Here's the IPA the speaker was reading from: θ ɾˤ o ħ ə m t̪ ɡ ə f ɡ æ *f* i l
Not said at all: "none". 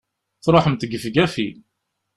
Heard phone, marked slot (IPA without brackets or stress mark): f